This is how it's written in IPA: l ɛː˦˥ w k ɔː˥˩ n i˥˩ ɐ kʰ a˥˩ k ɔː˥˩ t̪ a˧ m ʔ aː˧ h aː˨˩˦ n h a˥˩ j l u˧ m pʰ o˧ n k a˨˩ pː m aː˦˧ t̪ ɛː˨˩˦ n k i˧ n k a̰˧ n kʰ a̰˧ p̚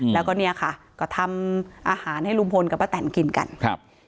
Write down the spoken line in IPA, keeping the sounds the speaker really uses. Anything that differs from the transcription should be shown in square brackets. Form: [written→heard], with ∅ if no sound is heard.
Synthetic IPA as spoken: l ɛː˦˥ w k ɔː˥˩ n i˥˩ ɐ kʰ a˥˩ k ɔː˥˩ [t̪→t̪ʰ] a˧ m ʔ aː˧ h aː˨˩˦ n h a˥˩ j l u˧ m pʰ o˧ n k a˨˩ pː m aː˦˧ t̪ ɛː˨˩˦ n k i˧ n k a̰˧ n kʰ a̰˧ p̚